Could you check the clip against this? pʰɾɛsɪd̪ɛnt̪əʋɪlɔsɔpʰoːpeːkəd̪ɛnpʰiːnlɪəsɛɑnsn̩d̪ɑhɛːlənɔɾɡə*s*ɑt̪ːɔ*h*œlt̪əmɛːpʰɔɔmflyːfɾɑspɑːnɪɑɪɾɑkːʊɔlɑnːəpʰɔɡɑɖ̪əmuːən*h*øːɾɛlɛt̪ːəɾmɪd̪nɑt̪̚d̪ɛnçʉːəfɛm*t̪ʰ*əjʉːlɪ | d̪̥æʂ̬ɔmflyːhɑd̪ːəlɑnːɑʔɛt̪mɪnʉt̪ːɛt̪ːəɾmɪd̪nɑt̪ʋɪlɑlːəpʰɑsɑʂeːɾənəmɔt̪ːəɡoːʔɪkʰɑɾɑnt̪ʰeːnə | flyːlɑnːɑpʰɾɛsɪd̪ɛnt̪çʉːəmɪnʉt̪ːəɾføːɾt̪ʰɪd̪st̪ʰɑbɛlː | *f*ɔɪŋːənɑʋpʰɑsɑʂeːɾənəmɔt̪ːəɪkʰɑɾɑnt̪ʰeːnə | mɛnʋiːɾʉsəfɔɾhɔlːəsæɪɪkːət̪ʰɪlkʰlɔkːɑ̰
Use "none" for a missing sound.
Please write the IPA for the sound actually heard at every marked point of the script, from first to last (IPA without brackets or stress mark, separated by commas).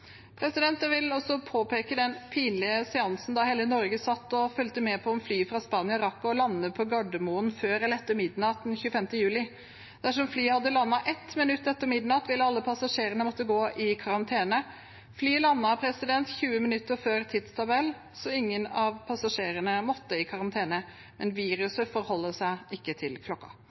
s, f, f, t̪, s